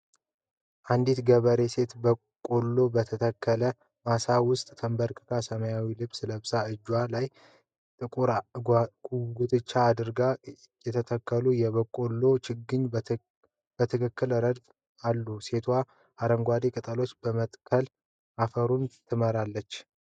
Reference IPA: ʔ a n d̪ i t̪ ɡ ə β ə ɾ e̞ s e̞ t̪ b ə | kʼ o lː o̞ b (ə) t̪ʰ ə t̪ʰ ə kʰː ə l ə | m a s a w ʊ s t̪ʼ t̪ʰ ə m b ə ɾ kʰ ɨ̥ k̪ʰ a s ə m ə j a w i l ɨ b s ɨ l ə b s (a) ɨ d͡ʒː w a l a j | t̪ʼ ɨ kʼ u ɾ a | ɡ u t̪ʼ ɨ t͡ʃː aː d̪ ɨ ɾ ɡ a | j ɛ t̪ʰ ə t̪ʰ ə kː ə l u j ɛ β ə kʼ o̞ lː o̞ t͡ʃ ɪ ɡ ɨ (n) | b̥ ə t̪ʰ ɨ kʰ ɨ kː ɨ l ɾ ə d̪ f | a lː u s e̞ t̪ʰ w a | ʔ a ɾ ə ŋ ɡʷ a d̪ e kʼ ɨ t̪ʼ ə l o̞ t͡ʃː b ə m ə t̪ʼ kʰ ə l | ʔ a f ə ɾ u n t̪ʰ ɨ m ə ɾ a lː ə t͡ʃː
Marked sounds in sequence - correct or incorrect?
correct, correct, incorrect: ɲ

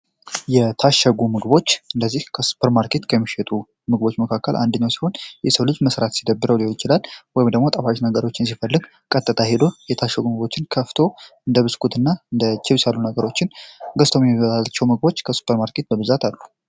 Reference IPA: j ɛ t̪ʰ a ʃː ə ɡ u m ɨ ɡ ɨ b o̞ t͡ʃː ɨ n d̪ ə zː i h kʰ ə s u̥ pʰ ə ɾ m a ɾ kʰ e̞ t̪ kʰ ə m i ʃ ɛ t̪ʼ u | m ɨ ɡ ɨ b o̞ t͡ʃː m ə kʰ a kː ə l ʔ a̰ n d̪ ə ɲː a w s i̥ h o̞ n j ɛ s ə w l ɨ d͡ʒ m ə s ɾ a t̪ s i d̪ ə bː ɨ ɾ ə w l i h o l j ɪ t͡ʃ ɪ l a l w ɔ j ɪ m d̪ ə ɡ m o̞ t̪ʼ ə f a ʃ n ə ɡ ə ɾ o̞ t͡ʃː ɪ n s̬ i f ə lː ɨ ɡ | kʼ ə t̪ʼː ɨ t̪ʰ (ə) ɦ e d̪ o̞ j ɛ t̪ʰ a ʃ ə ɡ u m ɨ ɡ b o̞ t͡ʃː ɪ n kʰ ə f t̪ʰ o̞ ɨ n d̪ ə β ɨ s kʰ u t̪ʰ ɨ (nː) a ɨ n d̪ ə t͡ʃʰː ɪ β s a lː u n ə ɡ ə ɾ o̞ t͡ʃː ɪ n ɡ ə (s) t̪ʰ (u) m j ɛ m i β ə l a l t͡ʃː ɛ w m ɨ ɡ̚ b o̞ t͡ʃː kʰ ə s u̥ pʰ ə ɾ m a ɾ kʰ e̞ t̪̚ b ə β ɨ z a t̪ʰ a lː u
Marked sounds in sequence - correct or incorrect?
incorrect: a, correct, correct, incorrect: o

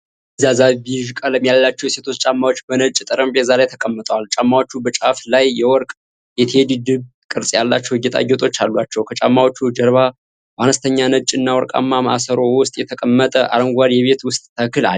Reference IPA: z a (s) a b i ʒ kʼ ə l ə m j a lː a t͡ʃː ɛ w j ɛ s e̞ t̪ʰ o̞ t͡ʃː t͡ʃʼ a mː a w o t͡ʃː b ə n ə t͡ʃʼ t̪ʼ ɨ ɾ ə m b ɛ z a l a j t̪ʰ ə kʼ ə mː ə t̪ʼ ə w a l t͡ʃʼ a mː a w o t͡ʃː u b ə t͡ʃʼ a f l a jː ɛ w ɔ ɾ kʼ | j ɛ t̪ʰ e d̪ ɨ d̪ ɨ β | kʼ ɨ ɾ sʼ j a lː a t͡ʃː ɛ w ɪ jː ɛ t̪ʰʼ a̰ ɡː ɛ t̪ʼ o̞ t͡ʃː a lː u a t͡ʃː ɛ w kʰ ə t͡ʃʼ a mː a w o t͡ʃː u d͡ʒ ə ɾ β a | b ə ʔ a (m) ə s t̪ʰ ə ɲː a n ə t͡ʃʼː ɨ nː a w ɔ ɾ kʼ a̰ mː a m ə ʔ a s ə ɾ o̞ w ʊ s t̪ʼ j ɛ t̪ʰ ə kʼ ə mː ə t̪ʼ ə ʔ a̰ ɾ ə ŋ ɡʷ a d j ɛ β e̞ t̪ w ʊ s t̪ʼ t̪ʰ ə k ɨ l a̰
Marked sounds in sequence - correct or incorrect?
incorrect: z, incorrect: n

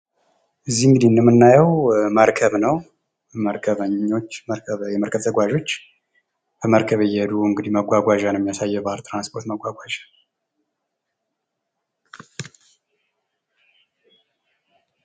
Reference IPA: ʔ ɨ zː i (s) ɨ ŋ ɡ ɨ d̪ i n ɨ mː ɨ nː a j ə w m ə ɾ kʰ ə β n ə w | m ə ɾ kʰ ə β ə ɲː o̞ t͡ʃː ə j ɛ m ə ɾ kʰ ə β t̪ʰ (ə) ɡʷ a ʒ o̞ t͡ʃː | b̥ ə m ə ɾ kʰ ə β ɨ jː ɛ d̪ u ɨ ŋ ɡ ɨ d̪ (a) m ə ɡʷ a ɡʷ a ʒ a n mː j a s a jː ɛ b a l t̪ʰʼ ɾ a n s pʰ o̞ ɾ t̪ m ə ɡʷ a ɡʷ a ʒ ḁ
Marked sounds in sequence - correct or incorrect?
incorrect: h, correct, incorrect: i

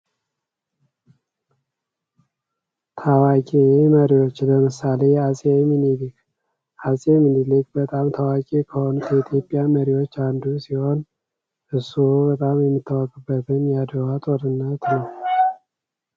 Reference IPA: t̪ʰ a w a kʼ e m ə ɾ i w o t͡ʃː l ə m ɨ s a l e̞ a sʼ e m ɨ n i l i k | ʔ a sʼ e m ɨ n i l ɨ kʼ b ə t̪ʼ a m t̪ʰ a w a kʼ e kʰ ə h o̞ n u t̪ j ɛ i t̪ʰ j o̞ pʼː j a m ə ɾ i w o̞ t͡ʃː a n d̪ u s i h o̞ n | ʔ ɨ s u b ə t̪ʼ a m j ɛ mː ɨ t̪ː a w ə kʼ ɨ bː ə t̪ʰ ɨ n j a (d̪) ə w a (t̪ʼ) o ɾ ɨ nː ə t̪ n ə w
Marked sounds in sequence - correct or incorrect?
correct, correct

